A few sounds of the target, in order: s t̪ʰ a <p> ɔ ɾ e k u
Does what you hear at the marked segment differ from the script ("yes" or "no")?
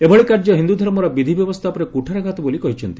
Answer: no